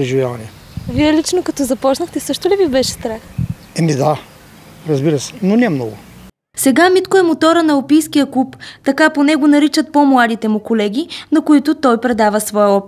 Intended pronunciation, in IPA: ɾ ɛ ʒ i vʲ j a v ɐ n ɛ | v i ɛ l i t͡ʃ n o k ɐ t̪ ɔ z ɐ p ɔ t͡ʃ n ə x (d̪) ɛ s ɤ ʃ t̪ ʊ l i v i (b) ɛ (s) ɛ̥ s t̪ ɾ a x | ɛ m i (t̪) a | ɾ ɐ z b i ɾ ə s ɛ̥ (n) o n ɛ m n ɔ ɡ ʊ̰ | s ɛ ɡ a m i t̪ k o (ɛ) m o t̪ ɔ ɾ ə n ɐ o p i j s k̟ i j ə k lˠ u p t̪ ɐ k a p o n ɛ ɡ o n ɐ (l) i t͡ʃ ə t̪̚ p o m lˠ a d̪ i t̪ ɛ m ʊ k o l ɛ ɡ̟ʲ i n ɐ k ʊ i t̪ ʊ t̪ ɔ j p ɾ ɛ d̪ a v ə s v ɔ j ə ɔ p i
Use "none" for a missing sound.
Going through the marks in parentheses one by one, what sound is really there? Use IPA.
t̪, b, ʃ, d̪, n, ɛ, ɾ

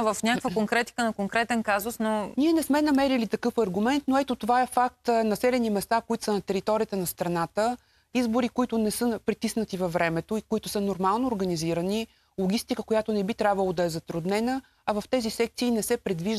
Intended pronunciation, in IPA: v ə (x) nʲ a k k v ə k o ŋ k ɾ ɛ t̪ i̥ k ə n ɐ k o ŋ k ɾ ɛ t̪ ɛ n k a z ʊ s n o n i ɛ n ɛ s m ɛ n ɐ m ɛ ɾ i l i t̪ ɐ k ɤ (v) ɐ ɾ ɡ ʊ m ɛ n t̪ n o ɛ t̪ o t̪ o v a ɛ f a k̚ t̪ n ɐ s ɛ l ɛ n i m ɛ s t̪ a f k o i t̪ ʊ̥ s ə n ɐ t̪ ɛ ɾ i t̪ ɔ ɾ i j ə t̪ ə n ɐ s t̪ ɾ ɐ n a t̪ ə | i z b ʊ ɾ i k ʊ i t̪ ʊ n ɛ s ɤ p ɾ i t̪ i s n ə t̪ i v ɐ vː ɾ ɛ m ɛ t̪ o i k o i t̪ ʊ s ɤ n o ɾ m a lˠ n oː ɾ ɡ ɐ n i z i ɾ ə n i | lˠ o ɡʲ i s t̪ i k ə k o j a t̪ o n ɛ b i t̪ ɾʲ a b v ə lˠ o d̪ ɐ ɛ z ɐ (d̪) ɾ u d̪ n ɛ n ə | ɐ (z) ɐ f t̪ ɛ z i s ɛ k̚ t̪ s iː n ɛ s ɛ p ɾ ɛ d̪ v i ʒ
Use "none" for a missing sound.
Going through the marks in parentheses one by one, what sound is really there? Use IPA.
f, f, t̪, v

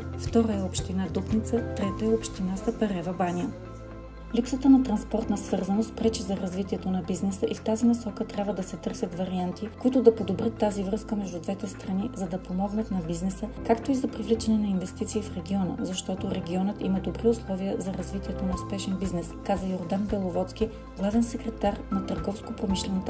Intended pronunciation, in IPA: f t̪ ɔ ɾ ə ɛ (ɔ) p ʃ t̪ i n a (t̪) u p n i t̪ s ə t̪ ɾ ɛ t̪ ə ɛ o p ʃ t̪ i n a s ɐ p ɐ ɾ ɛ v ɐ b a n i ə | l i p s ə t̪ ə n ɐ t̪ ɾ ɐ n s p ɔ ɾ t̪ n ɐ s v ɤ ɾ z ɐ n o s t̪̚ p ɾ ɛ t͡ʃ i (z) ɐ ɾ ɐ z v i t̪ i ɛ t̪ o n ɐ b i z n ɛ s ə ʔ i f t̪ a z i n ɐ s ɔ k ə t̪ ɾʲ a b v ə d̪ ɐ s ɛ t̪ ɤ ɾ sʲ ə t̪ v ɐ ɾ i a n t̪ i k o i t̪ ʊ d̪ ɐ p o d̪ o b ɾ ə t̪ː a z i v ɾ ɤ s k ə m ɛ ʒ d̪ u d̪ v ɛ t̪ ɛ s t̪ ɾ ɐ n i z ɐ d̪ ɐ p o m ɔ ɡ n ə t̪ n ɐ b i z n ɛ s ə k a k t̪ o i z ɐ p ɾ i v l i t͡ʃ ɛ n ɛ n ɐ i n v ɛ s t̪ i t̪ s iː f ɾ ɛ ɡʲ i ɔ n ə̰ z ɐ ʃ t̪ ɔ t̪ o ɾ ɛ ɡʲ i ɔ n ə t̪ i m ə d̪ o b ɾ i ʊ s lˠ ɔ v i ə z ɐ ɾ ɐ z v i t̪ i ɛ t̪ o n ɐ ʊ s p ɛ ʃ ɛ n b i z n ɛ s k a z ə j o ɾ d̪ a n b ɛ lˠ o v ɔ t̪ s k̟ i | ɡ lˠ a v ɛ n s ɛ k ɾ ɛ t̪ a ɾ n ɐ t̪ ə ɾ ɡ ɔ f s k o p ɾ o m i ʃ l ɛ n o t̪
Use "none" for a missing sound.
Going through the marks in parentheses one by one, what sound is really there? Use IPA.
o, d̪, z

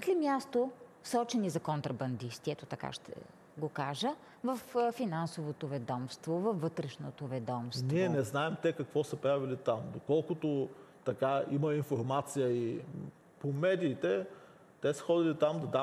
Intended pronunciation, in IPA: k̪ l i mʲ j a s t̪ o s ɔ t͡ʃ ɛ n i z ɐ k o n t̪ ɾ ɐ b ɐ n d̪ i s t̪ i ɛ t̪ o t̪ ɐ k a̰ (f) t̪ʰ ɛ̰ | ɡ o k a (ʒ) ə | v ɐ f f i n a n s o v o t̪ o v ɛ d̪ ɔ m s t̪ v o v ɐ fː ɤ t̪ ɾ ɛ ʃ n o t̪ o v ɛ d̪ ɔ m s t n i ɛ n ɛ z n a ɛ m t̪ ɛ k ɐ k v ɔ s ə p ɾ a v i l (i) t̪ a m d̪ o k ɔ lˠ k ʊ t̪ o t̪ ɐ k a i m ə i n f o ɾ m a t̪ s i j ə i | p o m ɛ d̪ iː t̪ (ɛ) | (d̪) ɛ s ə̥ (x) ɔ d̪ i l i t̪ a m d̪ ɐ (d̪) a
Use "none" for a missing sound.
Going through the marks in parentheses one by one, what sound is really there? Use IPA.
ʃ, ʒ, i, ɛ, t̪, x, d̪

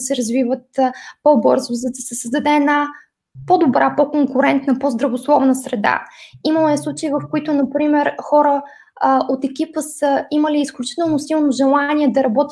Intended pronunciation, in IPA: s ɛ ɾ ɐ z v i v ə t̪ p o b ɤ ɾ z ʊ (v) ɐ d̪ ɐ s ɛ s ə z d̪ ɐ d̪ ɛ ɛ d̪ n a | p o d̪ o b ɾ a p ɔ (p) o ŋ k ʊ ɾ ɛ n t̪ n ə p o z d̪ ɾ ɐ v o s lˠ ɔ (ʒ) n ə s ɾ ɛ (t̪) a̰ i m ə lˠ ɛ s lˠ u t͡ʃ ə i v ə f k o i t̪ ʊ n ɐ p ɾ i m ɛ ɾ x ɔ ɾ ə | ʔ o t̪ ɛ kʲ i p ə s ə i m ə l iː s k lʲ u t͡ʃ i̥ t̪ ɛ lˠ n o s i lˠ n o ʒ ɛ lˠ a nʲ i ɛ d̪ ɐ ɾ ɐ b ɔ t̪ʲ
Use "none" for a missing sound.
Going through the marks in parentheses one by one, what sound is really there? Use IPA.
z, k, v, d̪

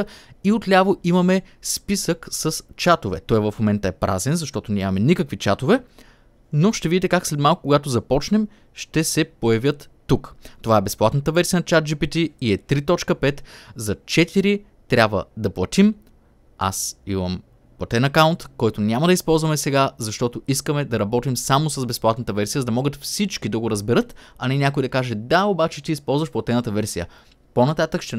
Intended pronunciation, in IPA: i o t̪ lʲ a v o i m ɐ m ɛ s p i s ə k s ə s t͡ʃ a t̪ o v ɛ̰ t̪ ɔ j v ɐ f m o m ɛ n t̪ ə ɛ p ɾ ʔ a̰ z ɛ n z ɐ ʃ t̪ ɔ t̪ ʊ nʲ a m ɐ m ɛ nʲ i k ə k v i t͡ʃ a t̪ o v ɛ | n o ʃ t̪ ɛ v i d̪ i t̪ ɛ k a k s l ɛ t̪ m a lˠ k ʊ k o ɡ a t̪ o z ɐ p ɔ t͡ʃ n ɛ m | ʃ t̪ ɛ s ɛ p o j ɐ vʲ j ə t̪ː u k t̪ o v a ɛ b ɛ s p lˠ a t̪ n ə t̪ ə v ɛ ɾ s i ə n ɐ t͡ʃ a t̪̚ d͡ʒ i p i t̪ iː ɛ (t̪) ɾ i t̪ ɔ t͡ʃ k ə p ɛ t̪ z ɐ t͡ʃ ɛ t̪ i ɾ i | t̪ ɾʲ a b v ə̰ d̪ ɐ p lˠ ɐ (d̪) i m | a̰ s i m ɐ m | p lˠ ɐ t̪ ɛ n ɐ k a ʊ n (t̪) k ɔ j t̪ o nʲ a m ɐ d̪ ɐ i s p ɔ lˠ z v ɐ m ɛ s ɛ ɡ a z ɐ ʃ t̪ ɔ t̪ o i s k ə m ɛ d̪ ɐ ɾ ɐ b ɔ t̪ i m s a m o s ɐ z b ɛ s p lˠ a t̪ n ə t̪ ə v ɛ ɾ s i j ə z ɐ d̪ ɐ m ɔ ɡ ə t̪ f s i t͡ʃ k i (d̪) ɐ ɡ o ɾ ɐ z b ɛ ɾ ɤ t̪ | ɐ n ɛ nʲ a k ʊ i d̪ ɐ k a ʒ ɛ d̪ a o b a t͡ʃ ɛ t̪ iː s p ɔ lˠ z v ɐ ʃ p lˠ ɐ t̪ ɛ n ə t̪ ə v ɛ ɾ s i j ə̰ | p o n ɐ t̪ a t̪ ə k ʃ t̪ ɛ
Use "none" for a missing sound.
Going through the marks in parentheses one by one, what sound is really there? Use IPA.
t̪, t̪, t̪, d̪

